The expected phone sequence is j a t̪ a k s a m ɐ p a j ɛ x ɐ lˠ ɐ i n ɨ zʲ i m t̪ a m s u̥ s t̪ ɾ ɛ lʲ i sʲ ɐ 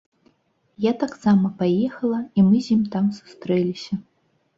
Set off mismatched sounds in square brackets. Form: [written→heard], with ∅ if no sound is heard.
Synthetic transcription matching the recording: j a t̪ a k s a m ɐ p a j ɛ x ɐ lˠ ɐ i [n→m] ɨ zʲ i m t̪ a m s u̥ s t̪ ɾ ɛ lʲ i sʲ ɐ